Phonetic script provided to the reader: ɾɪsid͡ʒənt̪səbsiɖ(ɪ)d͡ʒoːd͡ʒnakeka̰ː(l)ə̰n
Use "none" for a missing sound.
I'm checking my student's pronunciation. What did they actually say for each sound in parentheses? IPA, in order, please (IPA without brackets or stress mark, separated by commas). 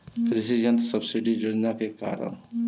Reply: i, ɾ